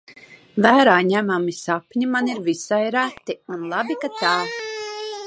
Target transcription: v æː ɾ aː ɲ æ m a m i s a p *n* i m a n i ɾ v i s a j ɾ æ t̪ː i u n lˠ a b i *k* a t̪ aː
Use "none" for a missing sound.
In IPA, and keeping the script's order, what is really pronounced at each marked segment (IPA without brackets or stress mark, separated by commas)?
ɲ, k